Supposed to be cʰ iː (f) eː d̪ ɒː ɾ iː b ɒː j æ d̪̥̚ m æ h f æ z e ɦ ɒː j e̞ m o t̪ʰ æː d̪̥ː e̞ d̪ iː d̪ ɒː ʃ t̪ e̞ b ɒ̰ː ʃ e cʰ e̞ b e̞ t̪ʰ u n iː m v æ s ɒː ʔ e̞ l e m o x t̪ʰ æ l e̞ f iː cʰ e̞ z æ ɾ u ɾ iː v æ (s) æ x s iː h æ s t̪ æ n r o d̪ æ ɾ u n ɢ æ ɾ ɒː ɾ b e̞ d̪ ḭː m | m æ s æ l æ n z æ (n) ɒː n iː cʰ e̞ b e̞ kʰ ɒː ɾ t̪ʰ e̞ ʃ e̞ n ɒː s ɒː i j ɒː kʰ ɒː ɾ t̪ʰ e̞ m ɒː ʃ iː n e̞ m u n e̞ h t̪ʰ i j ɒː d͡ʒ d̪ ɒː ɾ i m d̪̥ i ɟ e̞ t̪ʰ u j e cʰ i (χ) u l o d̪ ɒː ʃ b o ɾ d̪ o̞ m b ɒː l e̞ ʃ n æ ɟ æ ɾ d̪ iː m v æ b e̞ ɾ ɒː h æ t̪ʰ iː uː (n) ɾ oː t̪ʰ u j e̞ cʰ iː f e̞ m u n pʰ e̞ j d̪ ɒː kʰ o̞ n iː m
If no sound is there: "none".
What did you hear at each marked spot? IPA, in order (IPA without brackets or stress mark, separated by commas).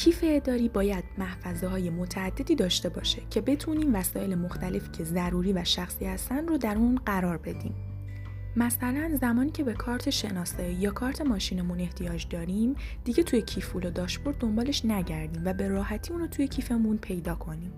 f, ʃ, m, f, n